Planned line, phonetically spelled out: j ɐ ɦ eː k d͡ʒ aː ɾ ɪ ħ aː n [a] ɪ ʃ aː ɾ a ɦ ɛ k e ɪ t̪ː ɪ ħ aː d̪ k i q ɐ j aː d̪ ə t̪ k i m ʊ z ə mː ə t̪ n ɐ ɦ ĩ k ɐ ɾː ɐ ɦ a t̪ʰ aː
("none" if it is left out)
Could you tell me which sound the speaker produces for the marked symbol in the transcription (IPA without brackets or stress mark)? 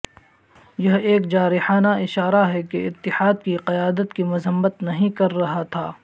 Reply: a